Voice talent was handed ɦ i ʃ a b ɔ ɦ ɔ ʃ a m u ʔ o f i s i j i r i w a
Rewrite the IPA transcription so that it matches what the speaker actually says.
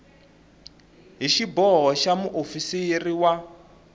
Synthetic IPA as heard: ɦ i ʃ i b ɔ ɦ ɔ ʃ a m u ʔ o f i s i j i r i w a